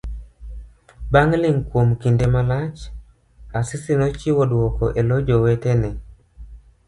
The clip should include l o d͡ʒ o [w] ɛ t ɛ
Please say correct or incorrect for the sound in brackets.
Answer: correct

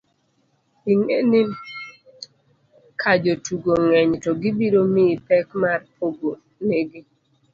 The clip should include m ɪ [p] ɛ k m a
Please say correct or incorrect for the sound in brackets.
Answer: correct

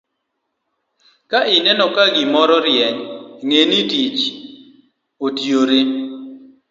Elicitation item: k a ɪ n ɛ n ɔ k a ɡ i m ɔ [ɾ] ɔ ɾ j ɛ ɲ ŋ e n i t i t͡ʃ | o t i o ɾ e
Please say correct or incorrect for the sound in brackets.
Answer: correct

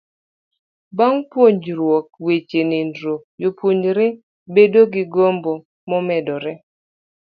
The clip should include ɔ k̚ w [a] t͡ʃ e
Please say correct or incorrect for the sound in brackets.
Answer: incorrect: e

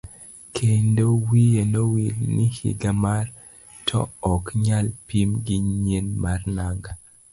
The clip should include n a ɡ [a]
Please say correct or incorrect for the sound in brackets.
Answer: correct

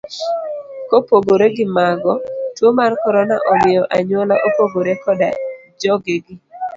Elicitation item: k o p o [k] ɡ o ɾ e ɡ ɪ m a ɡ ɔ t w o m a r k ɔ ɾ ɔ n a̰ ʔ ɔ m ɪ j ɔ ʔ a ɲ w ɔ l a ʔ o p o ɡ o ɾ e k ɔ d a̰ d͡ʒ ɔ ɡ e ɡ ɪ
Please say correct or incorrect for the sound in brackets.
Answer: incorrect: none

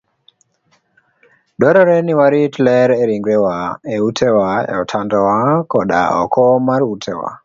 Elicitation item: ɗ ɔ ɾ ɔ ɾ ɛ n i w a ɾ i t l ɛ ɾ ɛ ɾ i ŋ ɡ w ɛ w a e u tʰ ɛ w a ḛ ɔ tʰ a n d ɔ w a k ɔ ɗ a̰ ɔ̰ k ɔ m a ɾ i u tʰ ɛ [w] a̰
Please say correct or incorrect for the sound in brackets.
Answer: correct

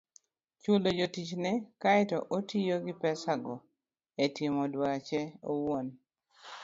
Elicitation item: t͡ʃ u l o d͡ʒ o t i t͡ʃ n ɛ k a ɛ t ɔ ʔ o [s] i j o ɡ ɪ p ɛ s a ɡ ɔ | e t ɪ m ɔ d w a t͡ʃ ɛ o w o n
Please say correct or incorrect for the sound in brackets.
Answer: incorrect: t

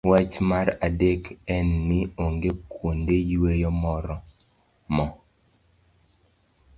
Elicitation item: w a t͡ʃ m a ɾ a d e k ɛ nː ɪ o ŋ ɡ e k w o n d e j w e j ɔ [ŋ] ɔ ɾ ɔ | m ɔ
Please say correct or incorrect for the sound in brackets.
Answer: incorrect: m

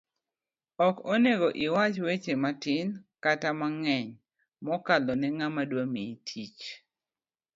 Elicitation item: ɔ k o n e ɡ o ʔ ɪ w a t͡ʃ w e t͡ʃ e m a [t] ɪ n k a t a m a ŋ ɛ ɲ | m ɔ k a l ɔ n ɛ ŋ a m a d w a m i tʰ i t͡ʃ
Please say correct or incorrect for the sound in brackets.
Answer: correct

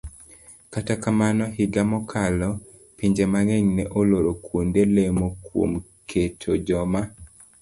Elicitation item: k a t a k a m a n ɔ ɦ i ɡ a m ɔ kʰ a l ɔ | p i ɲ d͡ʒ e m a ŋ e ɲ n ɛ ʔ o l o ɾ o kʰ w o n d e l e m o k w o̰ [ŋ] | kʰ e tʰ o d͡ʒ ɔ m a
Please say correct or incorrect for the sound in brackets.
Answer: incorrect: m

